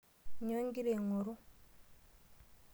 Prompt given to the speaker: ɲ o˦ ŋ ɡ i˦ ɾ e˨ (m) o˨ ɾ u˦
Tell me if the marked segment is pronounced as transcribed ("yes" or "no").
no